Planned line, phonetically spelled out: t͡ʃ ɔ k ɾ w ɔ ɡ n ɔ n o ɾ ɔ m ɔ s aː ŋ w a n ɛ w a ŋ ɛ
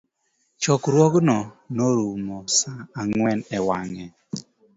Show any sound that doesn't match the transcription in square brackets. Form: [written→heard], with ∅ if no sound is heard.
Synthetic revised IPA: t͡ʃ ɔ k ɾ w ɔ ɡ n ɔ n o ɾ [ɔ→u] m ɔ s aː ŋ w [a→ɛ] n ɛ w a ŋ ɛ